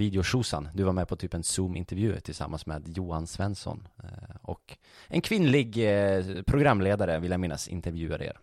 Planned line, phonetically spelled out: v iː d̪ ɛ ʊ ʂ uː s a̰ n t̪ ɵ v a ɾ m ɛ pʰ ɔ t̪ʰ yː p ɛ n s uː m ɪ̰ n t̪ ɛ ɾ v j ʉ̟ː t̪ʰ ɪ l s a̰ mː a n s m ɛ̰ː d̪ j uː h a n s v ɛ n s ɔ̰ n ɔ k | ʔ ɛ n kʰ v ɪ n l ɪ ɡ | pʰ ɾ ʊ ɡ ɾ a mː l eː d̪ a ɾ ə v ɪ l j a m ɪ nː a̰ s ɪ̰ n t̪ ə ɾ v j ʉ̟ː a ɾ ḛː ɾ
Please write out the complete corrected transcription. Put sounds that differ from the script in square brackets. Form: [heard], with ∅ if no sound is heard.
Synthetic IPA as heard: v iː d̪ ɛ ʊ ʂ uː s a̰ n [d̪] ɵ v a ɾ m ɛ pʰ ɔ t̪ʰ yː p ɛ n s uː m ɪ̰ n t̪ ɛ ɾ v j ʉ̟ː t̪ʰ ɪ l s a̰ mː a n s m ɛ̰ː d̪ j uː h a n s v ɛ n s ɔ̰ n ɔ k | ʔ ɛ n kʰ v ɪ n l ɪ ɡ | pʰ ɾ ʊ ɡ ɾ a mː l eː d̪ a ɾ ə v ɪ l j a m ɪ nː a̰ s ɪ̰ n t̪ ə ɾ v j ʉ̟ː a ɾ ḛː ɾ